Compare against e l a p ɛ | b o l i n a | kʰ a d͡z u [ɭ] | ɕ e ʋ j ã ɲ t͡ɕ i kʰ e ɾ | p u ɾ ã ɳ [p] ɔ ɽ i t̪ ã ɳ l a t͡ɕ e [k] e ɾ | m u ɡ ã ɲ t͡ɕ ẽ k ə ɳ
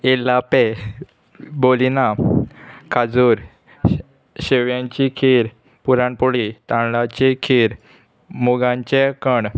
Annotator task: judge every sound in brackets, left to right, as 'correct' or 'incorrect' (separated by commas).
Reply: incorrect, correct, incorrect